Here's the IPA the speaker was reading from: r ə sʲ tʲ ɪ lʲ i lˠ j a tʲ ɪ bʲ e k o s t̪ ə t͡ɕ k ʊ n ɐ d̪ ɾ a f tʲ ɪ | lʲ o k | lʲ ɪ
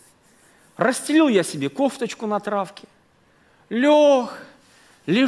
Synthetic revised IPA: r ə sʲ tʲ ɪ lʲ i lˠ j a sʲ ɪ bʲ e k o f t̪ ə t͡ɕ k ʊ n ɐ t̪ ɾ a f kʲ ɪ | lʲ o x | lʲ ɪ